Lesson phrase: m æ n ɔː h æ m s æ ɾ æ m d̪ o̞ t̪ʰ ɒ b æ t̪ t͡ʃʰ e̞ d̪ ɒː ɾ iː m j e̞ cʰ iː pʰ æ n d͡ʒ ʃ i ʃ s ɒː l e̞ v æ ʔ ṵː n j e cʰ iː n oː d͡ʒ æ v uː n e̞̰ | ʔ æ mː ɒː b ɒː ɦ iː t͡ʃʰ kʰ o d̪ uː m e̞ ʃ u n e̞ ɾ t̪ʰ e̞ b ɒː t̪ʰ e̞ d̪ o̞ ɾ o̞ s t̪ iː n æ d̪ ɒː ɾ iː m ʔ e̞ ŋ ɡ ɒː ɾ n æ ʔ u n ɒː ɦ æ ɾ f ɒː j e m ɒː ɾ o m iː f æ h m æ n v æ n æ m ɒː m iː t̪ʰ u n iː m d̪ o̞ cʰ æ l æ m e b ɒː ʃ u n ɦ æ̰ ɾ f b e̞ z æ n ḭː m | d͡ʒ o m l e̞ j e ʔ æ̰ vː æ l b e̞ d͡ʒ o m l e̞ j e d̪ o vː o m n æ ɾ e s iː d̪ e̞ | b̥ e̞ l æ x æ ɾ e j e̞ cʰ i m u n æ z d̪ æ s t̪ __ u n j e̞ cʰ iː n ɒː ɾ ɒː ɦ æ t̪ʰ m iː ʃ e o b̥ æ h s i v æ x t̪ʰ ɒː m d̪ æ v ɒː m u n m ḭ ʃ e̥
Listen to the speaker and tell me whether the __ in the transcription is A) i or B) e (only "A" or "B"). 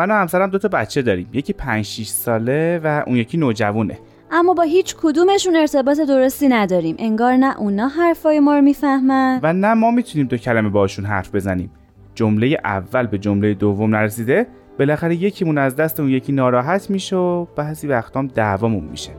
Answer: B